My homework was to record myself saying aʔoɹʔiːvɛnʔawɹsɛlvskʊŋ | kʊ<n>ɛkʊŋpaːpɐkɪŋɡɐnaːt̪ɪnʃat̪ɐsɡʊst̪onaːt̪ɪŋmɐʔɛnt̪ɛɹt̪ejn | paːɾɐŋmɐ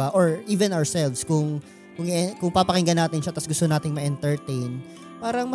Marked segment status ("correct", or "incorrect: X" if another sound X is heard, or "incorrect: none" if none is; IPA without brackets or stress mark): incorrect: ŋ